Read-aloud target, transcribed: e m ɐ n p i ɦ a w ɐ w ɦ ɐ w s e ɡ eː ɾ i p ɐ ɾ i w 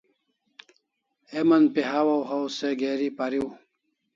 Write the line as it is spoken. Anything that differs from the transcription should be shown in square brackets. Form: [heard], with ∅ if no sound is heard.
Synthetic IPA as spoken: e m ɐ n p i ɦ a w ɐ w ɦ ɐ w s e ɡ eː ɾ i p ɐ ɾ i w